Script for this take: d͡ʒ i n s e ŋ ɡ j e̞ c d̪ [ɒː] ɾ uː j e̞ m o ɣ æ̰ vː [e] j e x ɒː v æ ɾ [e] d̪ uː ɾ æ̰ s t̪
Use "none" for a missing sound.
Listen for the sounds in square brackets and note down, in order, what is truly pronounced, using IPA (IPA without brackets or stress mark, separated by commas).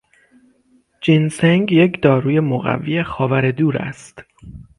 ɒː, i, e